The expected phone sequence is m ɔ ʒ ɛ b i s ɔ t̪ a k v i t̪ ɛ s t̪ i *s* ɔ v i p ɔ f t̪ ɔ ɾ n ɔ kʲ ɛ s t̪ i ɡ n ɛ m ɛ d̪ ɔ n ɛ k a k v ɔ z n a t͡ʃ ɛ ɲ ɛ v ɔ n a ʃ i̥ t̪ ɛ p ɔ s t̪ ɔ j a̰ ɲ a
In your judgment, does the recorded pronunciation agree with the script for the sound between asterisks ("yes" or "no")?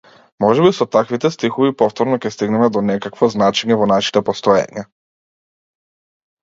no